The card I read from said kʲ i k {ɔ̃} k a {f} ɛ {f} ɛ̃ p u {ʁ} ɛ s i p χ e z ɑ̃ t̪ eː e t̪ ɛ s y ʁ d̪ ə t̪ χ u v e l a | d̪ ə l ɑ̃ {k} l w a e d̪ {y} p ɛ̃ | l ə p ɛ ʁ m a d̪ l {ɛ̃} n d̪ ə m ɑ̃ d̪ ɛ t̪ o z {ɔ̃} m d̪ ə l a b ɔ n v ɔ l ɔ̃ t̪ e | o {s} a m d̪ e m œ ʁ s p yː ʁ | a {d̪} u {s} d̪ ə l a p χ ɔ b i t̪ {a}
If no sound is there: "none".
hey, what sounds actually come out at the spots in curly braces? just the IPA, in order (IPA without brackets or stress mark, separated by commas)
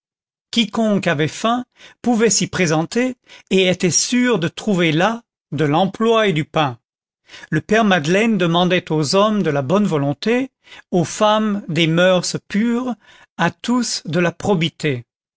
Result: ɔ̃, v, f, v, p, y, ɛ, ɔ, f, t̪, s, e